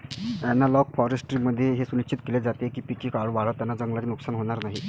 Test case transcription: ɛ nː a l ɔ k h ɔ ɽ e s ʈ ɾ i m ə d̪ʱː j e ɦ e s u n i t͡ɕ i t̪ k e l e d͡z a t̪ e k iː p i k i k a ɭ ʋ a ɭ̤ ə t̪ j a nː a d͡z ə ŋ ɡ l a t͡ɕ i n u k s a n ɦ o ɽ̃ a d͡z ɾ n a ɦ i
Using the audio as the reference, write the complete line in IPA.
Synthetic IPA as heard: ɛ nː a l ɔ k f ɔ ɾ e s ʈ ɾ i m ə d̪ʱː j e ɦ e s u n i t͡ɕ i t̪ k e l e d͡z a t̪ e k iː p i k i k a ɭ ʋ a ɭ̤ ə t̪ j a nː a d͡z ə ŋ ɡ l a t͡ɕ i n u k s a n ɦ o ɽ̃ a ɾ n a ɦ i

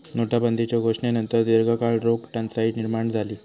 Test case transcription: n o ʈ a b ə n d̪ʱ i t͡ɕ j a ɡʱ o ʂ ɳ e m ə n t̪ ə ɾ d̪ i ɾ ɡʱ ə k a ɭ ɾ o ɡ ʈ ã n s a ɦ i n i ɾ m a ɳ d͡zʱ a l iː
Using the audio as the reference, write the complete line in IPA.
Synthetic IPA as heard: n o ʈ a b ə n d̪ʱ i t͡ɕ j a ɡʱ o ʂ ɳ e n ə n t̪ ə ɾ d̪ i ɾ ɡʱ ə k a ɭ ɾ o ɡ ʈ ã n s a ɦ i n i ɾ m a ɳ d͡zʱ a l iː

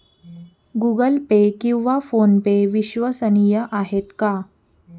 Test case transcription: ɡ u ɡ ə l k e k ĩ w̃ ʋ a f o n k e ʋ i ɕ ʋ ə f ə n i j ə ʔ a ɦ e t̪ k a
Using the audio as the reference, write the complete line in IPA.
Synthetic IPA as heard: ɡ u ɡ ə l p e k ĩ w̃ ʋ a f o n p e ʋ i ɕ ʋ ə s ə n i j ə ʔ a ɦ e t̪ k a

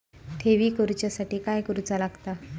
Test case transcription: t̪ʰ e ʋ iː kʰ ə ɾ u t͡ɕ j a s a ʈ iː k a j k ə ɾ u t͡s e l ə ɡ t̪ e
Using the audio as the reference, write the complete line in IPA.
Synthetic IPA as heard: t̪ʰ e ʋ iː k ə ɾ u t͡ɕ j a s a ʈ iː k a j k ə ɾ u t͡s a l a ɡ t̪ a

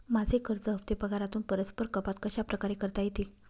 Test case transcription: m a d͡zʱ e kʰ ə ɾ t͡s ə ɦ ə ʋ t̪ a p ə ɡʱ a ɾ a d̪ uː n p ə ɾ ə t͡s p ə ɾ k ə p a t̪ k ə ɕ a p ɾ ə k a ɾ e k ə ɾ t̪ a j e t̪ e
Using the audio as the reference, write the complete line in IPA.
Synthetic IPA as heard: m a d͡zʱ e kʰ ə ɾ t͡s ə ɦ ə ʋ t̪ e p ə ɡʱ a ɾ a t̪ uː n p ə ɾ ə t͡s p ə ɾ k ə p a t̪ k ə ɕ a p ɾ ə k a ɾ e k ə ɾ t̪ a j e t̪ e

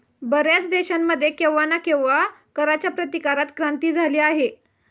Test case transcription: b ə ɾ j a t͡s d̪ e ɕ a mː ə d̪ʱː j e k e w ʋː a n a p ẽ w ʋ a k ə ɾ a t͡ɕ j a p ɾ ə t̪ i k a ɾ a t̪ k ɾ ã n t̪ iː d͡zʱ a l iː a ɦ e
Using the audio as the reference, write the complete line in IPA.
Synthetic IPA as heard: b ə ɾ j a t͡s d̪ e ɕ a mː ə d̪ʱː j e k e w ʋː a n a k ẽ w ʋ a k ə ɾ a t͡ɕ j a p ɾ ə t̪ i k a ɾ a t̪ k ɾ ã n t̪ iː d͡zʱ a l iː a ɦ e

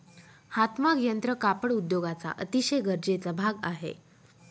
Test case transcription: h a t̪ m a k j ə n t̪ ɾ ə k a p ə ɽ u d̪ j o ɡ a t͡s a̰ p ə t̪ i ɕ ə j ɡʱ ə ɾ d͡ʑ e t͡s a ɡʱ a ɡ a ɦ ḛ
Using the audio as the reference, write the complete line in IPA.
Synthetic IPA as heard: h a t̪ m a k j ə n t̪ ɾ ə k a p ə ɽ u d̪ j o ɡ a t͡s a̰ ʔ ə t̪ i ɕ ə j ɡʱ ə ɾ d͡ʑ e t͡s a bʱ a ɡ a ɦ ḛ

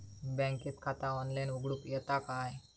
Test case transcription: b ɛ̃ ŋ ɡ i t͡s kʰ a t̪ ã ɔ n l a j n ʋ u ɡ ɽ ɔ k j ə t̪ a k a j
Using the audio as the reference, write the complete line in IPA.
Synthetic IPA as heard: b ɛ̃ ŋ k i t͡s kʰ a t̪ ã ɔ n l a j n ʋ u ɡ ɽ u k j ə t̪ a k a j

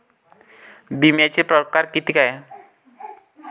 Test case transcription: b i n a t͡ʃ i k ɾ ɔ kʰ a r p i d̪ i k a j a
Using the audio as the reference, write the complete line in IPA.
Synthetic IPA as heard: b i m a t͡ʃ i p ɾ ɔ k a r k i t̪ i k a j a

